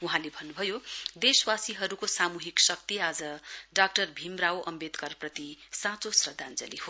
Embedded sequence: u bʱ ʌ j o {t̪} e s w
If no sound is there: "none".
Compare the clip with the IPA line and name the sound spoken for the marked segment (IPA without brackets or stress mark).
d̪